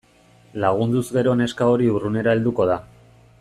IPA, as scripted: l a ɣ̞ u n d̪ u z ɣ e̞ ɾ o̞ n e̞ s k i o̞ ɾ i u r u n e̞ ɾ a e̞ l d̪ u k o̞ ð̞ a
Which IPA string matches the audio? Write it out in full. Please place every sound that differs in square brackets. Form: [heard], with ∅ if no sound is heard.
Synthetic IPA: l a ɣ̞ u n d̪ u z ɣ e̞ ɾ o̞ n e̞ s k [a] o̞ ɾ i u r u n e̞ ɾ a e̞ l d̪ u k o̞ ð̞ a